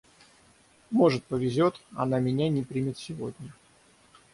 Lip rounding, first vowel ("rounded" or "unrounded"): rounded